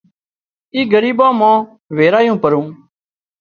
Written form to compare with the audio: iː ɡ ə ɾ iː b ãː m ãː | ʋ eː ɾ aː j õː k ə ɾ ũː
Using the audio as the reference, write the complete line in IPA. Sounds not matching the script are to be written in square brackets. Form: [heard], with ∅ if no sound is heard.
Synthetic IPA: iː ɡ ə ɾ iː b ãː m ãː | ʋ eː ɾ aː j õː [p] ə ɾ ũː